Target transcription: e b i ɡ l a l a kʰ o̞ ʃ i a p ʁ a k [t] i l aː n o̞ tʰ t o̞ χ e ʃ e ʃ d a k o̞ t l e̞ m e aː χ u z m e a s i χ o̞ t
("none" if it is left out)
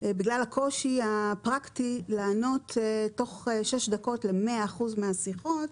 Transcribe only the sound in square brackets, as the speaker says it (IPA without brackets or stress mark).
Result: t